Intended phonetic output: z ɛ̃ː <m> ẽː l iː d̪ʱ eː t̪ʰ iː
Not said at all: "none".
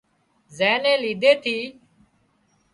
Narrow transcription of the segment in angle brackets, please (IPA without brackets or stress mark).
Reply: n